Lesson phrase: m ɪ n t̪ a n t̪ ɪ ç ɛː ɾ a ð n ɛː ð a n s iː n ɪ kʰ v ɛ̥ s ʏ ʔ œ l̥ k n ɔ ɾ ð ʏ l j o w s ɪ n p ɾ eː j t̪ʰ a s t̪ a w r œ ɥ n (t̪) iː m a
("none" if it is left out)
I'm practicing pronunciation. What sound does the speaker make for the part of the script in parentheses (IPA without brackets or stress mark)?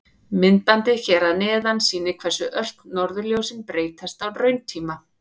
t̪ʰ